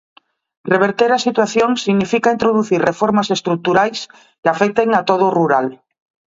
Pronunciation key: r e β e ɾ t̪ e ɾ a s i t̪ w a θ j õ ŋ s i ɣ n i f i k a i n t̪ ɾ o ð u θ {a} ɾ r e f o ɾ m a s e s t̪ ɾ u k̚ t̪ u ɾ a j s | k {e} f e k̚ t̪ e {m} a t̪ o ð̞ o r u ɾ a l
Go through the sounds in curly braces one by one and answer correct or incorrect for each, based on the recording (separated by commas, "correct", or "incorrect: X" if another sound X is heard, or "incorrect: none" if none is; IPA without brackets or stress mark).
incorrect: i, incorrect: a, incorrect: ŋ